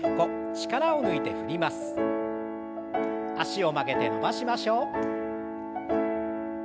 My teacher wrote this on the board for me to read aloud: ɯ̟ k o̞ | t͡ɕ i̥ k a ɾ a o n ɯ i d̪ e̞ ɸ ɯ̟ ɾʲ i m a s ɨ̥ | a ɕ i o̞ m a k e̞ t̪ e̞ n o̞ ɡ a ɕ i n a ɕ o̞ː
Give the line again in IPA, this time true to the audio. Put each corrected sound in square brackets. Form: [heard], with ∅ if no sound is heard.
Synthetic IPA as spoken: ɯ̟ k o̞ | t͡ɕ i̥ k a ɾ a o n ɯ i [t̪] e̞ ɸ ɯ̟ ɾʲ i m a s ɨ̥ | a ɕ i o̞ m a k e̞ t̪ e̞ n o̞ [b] a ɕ i [m] a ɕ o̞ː